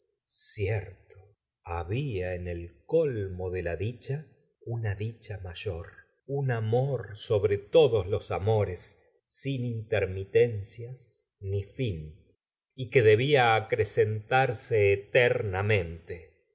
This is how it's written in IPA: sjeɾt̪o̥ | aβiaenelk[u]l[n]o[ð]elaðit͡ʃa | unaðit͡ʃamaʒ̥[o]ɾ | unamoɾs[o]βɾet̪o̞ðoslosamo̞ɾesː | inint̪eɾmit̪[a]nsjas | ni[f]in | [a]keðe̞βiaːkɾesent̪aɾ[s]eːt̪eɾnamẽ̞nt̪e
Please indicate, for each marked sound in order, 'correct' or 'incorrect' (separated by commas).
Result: incorrect, incorrect, correct, correct, correct, incorrect, correct, incorrect, correct